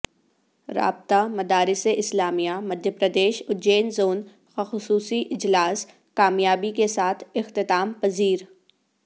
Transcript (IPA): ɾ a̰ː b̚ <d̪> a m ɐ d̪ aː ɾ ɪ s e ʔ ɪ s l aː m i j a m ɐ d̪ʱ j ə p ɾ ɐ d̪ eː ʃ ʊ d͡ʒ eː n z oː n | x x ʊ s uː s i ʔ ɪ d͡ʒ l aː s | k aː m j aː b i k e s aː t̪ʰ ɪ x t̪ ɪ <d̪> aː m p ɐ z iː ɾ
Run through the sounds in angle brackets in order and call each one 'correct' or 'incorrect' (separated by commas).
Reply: incorrect, incorrect